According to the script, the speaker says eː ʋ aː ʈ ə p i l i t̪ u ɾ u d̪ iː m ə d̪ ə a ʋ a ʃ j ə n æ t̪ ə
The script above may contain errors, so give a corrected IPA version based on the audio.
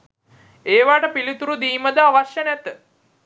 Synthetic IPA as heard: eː ʋ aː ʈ ə p i l i t̪ u ɾ u d̪ iː m ə d̪ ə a ʋ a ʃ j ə n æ t̪ ə